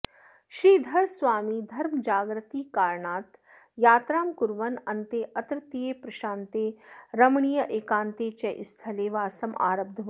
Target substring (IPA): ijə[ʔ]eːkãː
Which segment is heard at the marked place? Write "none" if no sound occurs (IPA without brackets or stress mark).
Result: ʔ